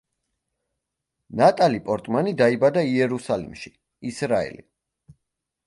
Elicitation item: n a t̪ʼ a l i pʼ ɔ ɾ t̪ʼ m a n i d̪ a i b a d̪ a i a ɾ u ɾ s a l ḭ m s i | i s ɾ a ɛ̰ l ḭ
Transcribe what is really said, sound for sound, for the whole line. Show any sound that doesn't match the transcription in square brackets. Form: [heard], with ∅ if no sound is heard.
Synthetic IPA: n a t̪ʼ a l i pʼ ɔ ɾ t̪ʼ m a n i d̪ a i b a d̪ a i [ɛ] ɾ u [∅] s a l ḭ m [ʃ] i | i s ɾ a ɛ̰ l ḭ